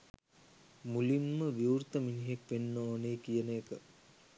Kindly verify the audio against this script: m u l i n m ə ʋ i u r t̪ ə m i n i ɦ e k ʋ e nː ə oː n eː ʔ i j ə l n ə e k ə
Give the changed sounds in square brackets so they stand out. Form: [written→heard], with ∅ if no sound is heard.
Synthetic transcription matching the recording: m u l i n m ə ʋ i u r t̪ ə m i n i ɦ e k ʋ e nː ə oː n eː [ʔ→k] i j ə [l→∅] n ə e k ə